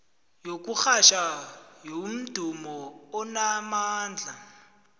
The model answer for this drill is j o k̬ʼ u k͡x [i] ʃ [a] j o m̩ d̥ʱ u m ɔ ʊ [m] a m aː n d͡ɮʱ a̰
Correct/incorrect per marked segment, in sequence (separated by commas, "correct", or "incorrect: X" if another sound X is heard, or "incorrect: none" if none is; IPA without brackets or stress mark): incorrect: a, correct, incorrect: n